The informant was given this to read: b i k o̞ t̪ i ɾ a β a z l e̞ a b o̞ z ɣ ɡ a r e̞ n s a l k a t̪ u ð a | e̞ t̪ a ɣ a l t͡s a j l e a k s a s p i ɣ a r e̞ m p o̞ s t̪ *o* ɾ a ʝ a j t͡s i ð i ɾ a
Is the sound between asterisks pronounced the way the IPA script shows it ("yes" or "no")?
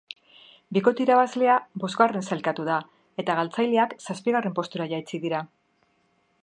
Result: no